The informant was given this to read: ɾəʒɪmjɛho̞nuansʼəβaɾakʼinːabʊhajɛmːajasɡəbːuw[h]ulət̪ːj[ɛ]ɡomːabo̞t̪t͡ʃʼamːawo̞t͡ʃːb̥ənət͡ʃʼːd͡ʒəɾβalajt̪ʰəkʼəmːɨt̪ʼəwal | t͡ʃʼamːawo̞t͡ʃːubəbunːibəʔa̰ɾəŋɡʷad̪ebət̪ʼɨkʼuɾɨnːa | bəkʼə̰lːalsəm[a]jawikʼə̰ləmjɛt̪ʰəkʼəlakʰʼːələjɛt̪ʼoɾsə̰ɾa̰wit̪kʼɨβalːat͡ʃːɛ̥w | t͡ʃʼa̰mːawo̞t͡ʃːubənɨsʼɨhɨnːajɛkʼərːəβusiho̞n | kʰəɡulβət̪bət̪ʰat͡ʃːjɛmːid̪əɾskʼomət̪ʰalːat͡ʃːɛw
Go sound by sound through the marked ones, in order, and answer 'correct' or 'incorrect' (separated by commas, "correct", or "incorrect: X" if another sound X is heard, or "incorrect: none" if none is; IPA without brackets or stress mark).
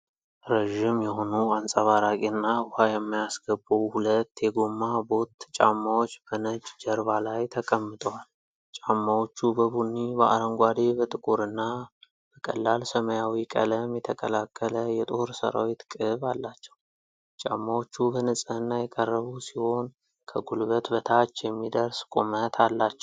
correct, correct, incorrect: ə